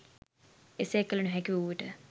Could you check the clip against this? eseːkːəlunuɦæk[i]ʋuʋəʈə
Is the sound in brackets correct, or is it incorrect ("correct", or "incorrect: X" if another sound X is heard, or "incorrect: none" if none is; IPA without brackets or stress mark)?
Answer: correct